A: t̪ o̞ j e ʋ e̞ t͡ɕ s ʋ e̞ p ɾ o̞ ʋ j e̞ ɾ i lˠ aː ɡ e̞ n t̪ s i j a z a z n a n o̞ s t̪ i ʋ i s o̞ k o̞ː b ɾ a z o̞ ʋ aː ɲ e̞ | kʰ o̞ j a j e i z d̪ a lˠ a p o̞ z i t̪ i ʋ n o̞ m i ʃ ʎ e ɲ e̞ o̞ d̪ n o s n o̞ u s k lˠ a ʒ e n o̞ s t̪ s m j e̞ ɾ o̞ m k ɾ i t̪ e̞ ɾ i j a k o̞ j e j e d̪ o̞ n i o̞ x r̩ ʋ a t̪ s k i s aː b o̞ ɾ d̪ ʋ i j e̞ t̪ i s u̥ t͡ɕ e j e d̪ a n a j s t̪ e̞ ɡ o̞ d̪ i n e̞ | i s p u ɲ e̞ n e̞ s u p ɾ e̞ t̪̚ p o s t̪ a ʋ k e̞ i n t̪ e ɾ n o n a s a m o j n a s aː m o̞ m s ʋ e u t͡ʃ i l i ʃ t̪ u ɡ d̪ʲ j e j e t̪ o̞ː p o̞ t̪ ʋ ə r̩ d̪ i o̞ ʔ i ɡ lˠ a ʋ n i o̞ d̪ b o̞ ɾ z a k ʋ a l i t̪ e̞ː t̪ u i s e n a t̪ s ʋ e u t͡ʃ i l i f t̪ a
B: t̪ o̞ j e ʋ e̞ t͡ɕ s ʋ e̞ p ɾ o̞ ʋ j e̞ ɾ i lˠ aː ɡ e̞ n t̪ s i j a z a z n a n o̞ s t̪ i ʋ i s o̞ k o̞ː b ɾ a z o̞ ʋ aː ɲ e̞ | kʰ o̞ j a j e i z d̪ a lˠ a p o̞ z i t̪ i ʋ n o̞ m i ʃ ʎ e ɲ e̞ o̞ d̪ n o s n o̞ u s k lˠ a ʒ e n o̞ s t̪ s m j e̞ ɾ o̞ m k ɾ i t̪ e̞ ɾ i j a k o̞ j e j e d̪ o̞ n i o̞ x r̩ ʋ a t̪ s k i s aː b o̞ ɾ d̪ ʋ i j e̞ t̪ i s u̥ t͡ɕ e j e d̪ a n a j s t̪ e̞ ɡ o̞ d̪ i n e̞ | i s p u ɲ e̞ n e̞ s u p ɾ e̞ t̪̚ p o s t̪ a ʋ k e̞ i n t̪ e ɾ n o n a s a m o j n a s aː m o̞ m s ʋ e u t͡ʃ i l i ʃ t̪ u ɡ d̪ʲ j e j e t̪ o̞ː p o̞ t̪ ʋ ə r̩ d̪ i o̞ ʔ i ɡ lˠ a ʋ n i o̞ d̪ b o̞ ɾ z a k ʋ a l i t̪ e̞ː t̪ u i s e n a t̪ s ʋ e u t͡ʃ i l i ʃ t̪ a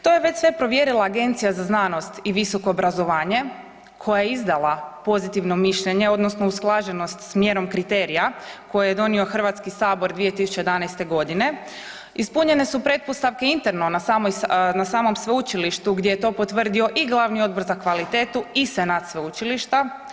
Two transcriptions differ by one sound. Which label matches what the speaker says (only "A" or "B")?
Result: B